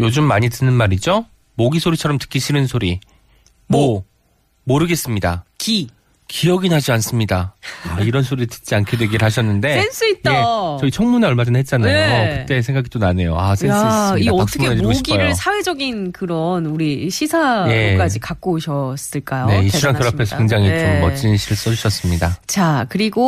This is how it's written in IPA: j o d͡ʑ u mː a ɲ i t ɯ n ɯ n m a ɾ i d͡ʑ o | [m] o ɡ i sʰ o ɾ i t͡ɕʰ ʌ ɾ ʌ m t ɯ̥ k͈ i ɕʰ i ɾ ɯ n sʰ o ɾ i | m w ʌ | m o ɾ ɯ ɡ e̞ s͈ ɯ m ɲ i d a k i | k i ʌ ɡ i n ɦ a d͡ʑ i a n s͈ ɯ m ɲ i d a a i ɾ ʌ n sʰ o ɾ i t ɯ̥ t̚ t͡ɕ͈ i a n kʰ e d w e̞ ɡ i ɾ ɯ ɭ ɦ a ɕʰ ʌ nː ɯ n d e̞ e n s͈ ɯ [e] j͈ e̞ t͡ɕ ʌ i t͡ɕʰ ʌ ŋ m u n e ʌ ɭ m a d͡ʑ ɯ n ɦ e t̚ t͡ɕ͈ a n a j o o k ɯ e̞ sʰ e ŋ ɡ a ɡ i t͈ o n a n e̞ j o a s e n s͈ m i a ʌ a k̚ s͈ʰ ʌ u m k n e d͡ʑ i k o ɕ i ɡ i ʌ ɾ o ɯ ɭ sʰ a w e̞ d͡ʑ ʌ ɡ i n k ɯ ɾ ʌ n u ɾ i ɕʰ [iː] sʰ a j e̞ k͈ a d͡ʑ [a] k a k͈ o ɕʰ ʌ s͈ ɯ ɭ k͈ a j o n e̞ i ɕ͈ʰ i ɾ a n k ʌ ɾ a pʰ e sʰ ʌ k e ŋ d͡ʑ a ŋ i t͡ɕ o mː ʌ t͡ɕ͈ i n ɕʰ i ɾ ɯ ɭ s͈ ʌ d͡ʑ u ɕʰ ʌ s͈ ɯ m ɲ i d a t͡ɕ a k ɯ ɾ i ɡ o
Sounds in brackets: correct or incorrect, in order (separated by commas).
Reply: correct, incorrect, incorrect, incorrect